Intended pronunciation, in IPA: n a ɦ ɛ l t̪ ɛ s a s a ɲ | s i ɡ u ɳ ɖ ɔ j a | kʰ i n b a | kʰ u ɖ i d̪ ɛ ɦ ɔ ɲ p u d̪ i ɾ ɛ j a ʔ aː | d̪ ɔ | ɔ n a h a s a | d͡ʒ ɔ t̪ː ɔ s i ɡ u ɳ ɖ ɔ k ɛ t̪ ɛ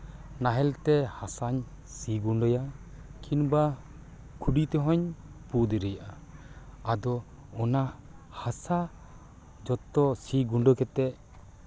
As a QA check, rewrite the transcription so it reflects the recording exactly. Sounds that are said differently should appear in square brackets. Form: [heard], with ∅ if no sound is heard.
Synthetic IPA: n a ɦ ɛ l t̪ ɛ [h] a s a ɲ | s i ɡ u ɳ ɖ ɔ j a | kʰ i n b a | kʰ u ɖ i [t̪] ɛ ɦ ɔ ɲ p u d̪ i ɾ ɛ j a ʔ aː | d̪ ɔ | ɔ n a h a s a | d͡ʒ ɔ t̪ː ɔ s i ɡ u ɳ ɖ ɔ k ɛ t̪ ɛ